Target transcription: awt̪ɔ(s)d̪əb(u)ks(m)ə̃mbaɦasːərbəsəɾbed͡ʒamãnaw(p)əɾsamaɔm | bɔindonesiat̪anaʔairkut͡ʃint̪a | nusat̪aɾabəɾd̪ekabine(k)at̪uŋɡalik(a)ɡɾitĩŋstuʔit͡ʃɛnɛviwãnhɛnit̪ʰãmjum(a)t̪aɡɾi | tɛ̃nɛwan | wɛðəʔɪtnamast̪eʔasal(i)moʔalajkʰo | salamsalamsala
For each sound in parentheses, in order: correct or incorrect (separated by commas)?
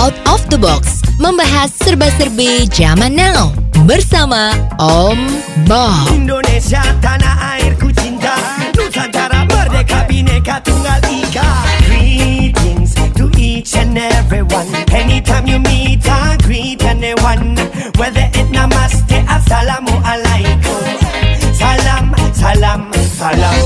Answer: incorrect, incorrect, correct, incorrect, correct, correct, incorrect, incorrect